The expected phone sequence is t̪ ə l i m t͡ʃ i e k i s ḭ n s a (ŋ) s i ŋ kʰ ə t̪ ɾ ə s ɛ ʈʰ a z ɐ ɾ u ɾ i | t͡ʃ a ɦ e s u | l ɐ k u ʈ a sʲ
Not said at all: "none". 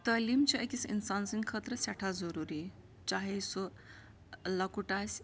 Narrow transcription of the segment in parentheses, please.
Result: n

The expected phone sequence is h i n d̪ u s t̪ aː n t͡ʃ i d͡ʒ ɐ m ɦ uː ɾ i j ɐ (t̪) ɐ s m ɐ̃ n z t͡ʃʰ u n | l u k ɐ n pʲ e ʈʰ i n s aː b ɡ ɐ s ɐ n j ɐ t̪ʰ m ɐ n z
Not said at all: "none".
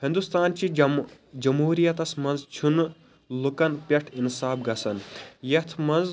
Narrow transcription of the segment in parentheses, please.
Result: t̪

